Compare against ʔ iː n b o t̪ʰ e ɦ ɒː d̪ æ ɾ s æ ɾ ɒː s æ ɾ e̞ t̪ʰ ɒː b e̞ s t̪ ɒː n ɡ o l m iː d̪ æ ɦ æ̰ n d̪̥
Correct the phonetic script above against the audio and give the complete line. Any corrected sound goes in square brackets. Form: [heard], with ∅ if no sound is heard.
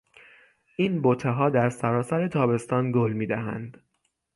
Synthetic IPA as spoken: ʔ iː n b o t̪ʰ e ɦ ɒː d̪ æ ɾ s æ ɾ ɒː s æ ɾ e̞ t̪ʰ ɒː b e̞ s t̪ ɒː n ɡ o l m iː d̪ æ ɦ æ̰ n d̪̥

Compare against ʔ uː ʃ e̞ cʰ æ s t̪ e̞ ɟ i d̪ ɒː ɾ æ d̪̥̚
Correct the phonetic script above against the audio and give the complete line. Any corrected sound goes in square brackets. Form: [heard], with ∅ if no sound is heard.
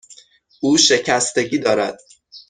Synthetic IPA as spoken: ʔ uː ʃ e̞ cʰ æ s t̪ e̞ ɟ [iː] d̪ ɒː ɾ æ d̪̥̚

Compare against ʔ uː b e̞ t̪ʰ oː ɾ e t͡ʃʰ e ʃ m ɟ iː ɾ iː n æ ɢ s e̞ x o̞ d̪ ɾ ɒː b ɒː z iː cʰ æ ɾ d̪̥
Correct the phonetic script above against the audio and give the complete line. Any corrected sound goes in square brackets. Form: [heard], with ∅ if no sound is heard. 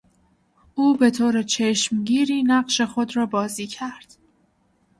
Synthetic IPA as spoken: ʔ uː b e̞ t̪ʰ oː ɾ e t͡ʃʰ e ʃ m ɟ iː ɾ iː n æ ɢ [ʃ] e̞ x o̞ d̪ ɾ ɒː b ɒː z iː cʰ æ ɾ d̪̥

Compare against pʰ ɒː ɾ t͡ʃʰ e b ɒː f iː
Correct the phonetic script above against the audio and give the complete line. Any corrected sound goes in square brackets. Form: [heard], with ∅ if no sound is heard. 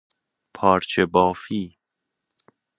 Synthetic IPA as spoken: pʰ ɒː ɾ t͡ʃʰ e b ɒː f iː

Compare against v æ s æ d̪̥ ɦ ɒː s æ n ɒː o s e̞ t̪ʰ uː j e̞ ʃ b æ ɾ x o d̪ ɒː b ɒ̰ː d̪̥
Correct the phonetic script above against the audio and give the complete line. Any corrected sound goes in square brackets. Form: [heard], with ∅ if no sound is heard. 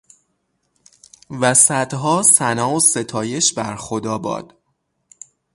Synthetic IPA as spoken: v æ s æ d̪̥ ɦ ɒː s æ n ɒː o s e̞ t̪ʰ [ɒː] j e̞ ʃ b æ ɾ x o d̪ ɒː b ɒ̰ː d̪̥

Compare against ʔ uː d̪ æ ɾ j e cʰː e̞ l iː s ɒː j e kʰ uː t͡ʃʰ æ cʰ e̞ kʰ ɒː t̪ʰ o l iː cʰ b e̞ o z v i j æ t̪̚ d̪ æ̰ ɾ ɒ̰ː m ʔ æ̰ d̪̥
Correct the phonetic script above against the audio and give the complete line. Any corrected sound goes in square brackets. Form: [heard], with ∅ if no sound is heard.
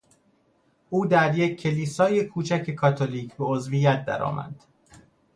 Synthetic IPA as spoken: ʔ uː d̪ æ ɾ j e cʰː e̞ l iː s ɒː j e kʰ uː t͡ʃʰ æ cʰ e̞ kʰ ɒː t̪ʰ o l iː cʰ b e̞ o z v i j æ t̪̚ d̪ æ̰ ɾ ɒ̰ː m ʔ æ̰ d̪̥

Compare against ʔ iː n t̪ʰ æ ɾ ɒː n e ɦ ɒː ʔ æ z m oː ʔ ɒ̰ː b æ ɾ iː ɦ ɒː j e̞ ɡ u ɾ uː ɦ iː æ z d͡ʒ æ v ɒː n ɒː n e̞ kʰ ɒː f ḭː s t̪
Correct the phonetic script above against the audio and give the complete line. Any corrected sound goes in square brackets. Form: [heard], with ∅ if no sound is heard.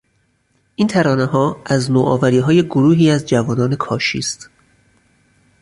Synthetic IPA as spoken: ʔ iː n t̪ʰ æ ɾ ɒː n e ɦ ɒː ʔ æ z [n] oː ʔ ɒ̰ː [v] æ ɾ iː ɦ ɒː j e̞ ɡ [o] ɾ uː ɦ iː æ z d͡ʒ æ v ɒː n ɒː n e̞ kʰ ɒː [ʃ] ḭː s t̪

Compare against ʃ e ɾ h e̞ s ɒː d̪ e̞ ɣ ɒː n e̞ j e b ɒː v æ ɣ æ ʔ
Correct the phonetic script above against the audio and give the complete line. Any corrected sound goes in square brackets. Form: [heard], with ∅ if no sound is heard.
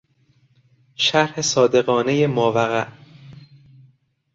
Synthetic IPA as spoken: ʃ [æ] ɾ h e̞ s ɒː d̪ e̞ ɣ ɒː n e̞ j e [m] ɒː v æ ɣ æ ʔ

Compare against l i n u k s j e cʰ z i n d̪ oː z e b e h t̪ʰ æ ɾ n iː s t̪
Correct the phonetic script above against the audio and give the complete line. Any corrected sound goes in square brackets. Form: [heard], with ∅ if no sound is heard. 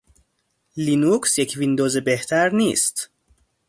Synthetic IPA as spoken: l i n u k s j e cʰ [v] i n d̪ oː z e b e h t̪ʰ æ ɾ n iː s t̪

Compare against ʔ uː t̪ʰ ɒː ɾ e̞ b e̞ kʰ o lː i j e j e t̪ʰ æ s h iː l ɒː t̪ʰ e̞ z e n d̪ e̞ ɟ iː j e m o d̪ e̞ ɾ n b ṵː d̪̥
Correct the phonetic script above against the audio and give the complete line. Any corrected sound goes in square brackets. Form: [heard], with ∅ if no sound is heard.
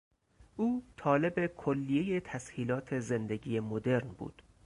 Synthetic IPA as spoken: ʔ uː t̪ʰ ɒː [l] e̞ b e̞ kʰ o lː i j e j e t̪ʰ æ s h iː l ɒː t̪ʰ e̞ z e n d̪ e̞ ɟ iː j e m o d̪ e̞ ɾ n b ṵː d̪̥

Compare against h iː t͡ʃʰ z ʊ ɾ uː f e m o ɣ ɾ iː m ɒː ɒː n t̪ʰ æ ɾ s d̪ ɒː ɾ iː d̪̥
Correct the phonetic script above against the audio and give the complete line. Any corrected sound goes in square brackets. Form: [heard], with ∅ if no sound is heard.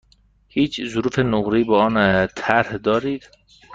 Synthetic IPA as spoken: h iː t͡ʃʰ z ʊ ɾ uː f e [n] o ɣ ɾ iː [b] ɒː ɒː n t̪ʰ æ ɾ [h] d̪ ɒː ɾ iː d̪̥

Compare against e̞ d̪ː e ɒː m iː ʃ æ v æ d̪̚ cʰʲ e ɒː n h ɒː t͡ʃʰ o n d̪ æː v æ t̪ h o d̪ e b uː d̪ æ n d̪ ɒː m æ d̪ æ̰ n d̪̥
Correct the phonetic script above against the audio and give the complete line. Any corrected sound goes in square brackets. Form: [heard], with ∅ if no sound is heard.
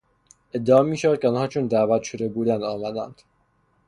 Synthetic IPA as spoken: e̞ d̪ː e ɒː m iː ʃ æ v æ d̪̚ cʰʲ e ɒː n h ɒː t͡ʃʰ o n d̪ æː v æ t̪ [ʃ] o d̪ e b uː d̪ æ n d̪ ɒː m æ d̪ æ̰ n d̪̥

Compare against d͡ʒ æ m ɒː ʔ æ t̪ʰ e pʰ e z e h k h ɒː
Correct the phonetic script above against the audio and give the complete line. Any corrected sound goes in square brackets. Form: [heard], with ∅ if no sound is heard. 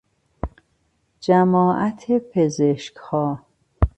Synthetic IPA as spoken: d͡ʒ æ m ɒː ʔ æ t̪ʰ e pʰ e z e [ʃ] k h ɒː

